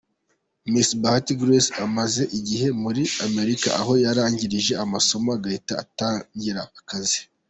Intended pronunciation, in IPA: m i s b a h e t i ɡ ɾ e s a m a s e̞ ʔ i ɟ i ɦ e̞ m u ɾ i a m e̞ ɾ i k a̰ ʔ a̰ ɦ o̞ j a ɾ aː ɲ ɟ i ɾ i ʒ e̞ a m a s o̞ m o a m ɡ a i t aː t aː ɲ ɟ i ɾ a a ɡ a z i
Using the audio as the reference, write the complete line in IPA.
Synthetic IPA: m i s b a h a t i ɡ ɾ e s a m a z e̞ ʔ i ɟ i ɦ e̞ m u ɾ i a m e̞ ɾ i k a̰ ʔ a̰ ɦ o̞ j a ɾ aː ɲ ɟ i ɾ i ʒ e̞ a m a s o̞ m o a ɡ a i t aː t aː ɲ ɟ i ɾ a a k a z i